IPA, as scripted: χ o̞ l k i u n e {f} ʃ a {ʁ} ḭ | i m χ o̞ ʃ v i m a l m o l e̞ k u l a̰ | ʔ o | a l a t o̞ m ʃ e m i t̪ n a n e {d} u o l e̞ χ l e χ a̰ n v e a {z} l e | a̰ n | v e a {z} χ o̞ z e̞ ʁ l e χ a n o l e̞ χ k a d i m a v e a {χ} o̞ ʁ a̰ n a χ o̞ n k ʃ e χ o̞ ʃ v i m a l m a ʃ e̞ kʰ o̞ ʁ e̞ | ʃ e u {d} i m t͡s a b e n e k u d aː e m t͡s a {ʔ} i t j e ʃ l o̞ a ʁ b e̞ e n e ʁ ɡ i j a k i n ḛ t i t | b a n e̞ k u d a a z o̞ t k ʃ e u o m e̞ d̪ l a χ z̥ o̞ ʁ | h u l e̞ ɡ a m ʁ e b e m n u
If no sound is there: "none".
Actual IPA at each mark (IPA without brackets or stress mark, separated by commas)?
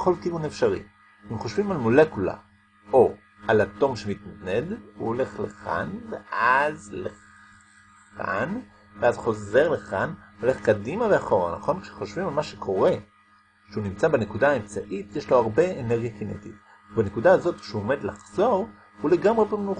f, ʁ, d, z, z, χ, n, ʔ